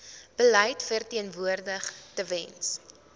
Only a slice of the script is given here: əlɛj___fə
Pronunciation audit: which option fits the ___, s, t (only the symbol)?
t